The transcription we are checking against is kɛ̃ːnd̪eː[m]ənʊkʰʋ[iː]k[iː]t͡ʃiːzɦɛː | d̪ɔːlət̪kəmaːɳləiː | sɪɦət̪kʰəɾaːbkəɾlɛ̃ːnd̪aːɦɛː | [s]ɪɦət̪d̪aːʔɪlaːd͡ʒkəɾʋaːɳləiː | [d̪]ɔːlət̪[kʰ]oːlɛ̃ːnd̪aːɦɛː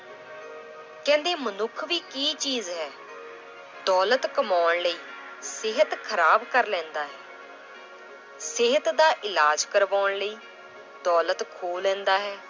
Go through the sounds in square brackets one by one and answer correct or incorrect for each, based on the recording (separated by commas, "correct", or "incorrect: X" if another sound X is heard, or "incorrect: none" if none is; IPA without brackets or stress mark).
correct, correct, correct, correct, correct, correct